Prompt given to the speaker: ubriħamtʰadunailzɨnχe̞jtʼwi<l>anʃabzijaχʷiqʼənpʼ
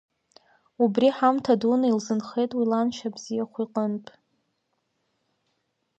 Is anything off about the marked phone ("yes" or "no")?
no